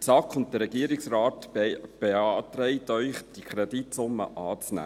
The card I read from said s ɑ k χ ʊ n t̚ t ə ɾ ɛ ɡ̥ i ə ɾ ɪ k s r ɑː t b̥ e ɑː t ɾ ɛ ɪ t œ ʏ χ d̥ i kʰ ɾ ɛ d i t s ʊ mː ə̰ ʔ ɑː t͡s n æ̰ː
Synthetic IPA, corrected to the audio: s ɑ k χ ʊ n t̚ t ə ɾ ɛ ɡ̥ i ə ɾ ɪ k s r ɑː t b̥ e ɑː t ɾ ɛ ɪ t œ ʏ χ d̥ i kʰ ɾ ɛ d i t s ʊ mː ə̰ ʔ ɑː t͡s n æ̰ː